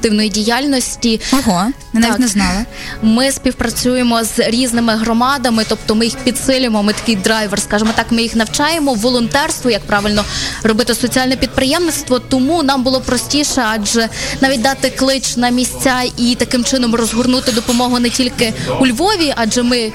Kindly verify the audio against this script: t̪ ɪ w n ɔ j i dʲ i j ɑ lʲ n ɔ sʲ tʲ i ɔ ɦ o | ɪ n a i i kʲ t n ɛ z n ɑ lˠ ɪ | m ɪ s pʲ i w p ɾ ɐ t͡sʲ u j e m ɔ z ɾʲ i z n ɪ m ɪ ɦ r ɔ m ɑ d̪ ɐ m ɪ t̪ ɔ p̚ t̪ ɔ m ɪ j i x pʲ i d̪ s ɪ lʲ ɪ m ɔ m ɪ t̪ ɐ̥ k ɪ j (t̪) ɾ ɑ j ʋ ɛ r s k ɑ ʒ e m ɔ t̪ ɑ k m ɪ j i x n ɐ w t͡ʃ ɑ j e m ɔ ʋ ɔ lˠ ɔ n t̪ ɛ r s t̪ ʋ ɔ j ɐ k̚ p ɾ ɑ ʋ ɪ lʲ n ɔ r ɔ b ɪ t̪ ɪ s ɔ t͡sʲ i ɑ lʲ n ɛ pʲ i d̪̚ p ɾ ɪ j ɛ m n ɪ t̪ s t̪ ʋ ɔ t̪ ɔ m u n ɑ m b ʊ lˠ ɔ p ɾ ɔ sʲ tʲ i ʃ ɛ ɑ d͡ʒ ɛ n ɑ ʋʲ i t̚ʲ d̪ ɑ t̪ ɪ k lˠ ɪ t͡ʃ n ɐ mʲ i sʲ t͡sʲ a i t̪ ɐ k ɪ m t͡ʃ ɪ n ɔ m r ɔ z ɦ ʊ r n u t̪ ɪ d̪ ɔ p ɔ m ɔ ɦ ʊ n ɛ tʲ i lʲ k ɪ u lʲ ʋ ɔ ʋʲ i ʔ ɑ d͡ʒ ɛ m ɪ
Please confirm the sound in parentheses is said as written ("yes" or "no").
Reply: no